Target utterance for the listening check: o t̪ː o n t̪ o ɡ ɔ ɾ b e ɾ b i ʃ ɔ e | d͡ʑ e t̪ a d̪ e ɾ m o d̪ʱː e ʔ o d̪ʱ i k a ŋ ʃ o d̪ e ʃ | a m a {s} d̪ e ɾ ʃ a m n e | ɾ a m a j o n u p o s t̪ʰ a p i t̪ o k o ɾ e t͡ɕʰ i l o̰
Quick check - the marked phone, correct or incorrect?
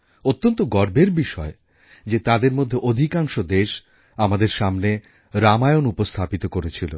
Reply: incorrect